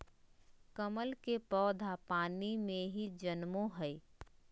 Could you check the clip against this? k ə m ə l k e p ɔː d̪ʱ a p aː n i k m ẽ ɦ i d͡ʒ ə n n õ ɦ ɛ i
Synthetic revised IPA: k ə m ə l k e p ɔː d̪ʱ a p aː n i m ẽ ɦ i d͡ʒ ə n m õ ɦ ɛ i